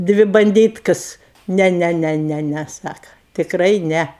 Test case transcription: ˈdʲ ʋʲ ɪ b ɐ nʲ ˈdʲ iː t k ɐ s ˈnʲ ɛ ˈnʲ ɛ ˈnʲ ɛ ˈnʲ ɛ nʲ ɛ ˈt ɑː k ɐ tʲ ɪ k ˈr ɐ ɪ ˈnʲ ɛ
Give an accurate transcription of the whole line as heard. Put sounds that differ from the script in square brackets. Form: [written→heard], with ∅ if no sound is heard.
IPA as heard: ˈdʲ ʋʲ ɪ b ɐ nʲ ˈdʲ iː t k ɐ s ˈnʲ ɛ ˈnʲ ɛ ˈnʲ ɛ ˈnʲ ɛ nʲ ɛ [ˈt→ˈs] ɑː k ɐ tʲ ɪ k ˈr ɐ ɪ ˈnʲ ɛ